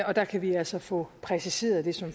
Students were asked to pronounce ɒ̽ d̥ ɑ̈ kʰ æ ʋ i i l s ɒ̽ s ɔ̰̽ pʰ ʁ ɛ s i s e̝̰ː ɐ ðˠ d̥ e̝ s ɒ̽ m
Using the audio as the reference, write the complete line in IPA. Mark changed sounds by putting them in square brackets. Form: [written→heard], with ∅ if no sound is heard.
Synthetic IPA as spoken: ɒ̽ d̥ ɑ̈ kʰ æ ʋ i [i→æ] l s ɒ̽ [s→f] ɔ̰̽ pʰ ʁ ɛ s i s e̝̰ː ɐ ðˠ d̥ e̝ s ɒ̽ m